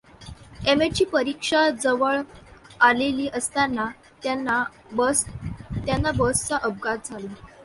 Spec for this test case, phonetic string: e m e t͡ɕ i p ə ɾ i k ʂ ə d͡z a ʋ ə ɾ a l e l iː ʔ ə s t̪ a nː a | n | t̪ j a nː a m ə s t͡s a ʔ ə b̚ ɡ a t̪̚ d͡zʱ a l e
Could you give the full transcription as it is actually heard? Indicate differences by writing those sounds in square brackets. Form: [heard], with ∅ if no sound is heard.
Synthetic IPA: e m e t͡ɕ [iː] p ə ɾ i k ʂ [a] d͡z [ə] ʋ ə [ɭ] a l e l iː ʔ ə s t̪ a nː a | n | t̪ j a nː a [b] ə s t͡s a ʔ ə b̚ ɡ a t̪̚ d͡zʱ a l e